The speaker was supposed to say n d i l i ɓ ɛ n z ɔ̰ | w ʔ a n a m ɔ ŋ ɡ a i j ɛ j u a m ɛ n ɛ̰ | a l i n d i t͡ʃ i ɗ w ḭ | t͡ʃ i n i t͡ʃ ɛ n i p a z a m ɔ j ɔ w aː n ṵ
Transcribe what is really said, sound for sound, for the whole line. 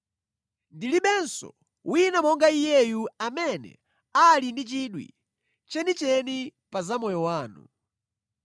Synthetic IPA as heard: n d i l i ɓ ɛ n s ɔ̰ | w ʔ i n a m ɔ ŋ ɡ a i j ɛ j u a m ɛ n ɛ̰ | a l i n d i t͡ʃ i ɗ w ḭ | t͡ʃ ɛ n i t͡ʃ ɛ n i p a z a m ɔ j ɔ w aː n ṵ